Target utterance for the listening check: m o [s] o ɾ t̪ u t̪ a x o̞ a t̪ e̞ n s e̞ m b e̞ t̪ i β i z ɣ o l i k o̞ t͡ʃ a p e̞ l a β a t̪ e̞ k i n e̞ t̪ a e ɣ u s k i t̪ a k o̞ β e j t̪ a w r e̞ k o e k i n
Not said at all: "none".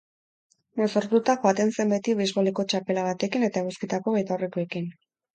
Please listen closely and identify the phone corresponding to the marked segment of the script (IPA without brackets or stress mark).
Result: s